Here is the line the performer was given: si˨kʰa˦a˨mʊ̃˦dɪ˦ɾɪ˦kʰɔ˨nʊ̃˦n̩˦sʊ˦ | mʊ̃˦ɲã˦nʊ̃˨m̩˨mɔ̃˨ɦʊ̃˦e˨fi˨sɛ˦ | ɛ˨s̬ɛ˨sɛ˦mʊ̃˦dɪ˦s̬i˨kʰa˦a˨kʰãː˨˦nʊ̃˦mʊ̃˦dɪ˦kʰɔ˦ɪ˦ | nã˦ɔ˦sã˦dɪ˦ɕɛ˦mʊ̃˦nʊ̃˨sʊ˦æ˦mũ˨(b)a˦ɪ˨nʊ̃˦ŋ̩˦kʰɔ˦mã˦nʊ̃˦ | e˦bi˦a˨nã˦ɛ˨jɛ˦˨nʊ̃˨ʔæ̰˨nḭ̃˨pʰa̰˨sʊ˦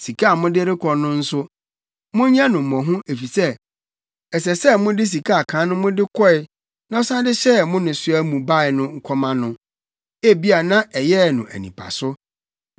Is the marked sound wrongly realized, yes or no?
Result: no